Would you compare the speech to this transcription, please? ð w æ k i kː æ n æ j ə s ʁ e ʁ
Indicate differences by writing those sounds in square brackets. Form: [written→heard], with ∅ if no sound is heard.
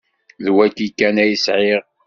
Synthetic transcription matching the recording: ð w æ k i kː æ n æ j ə s [ʁ→ʕ] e ʁ